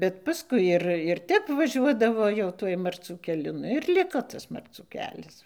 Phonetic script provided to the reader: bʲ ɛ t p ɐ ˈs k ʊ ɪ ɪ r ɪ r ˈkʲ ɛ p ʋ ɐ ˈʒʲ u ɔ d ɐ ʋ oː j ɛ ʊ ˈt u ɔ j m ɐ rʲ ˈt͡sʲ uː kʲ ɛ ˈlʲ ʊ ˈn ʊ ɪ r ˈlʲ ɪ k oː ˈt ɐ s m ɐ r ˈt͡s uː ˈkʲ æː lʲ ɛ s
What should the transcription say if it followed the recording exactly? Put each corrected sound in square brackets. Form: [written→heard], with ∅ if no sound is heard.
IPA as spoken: bʲ ɛ t p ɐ ˈs k ʊ ɪ ɪ r ɪ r [ˈkʲ→ˈtʲ] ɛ p ʋ ɐ ˈʒʲ u ɔ d ɐ ʋ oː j ɛ ʊ ˈt u ɔ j m ɐ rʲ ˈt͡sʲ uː kʲ ɛ ˈlʲ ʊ ˈn ʊ ɪ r ˈlʲ ɪ k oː ˈt ɐ s m ɐ r ˈt͡s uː ˈkʲ æː lʲ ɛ s